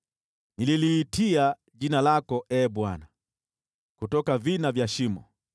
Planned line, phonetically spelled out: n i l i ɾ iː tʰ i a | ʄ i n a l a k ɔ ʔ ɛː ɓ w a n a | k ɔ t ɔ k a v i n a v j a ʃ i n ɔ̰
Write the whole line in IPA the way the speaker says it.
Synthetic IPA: n i l i l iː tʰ i a | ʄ i n a l a k ɔ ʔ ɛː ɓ w a n a | k u t ɔ k a v i n a v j a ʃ i m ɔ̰